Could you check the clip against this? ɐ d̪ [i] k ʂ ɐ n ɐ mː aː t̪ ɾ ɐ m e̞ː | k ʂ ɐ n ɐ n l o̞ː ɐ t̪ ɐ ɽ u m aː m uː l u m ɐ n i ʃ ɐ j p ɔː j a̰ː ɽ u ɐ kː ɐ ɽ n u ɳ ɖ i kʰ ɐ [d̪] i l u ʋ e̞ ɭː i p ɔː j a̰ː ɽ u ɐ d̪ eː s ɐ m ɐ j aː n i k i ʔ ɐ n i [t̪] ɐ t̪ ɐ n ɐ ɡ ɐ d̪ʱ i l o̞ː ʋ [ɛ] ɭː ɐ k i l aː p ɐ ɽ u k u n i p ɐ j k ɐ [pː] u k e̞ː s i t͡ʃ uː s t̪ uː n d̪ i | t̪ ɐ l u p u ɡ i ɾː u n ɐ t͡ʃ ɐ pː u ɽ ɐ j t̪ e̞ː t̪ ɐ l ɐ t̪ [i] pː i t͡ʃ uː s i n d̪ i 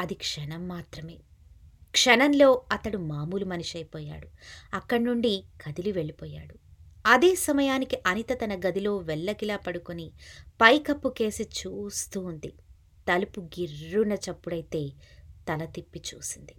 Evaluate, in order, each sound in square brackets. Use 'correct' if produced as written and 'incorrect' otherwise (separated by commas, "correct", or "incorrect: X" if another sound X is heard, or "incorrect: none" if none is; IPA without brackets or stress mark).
correct, correct, correct, correct, correct, correct